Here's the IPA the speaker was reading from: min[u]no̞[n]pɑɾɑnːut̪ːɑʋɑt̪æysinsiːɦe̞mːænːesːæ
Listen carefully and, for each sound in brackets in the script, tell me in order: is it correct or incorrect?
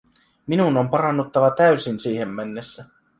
correct, incorrect

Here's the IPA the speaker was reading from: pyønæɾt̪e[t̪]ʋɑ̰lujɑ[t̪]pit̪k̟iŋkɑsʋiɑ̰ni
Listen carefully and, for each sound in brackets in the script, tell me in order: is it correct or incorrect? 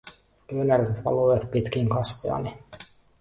correct, correct

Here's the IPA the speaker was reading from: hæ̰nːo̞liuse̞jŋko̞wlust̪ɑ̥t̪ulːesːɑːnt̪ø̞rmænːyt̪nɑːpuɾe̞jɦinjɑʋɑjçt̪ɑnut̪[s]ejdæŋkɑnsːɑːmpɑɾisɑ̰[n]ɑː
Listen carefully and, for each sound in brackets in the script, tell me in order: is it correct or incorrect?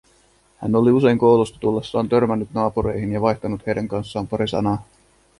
incorrect, correct

